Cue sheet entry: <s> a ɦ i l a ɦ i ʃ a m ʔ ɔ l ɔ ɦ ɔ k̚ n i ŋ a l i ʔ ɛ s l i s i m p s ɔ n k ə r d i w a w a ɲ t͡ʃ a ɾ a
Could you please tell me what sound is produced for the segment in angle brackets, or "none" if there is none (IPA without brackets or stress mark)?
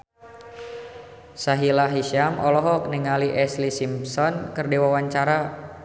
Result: s